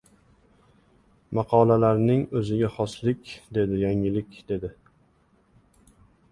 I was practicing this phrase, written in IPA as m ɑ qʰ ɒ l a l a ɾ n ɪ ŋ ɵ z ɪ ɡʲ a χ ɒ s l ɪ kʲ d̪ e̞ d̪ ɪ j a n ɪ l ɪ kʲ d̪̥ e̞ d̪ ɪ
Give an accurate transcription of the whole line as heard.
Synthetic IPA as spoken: m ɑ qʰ ɒ l a l a ɾ n ɪ ŋ ɵ z ɪ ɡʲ a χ ɒ s l ɪ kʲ d̪ e̞ d̪ ɪ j a ŋ ɪ l ɪ kʲ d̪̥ e̞ d̪ ɪ

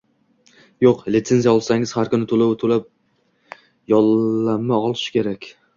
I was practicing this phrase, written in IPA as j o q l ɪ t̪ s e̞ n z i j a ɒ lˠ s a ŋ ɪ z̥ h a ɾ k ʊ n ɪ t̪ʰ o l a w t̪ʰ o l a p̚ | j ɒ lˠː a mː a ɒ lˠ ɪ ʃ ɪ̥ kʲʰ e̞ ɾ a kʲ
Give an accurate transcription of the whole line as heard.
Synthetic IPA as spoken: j o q l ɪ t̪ s e̞ n z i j a ɒ lˠ s a ŋ ɪ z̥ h a ɾ k ʊ n ɪ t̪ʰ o l a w t̪ʰ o l a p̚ | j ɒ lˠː a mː a ɒ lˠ ɪ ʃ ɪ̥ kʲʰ e̞ ɾ a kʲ

